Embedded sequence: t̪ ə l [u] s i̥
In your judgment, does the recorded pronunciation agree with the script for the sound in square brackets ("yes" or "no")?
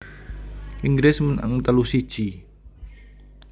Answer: yes